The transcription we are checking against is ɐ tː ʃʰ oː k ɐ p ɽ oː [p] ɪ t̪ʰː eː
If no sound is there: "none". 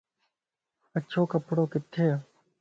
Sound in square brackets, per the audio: k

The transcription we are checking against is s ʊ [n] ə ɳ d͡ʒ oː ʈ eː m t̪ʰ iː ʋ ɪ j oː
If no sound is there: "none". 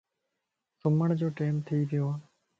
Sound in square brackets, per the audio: m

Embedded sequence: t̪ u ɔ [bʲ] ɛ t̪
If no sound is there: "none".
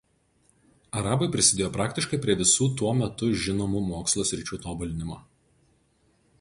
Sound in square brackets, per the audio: mʲ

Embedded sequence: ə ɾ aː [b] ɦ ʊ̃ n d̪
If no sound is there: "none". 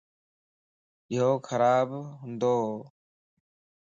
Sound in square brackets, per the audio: b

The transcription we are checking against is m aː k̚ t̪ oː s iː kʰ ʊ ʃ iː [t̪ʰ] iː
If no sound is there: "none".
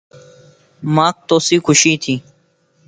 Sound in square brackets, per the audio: t̪ʰ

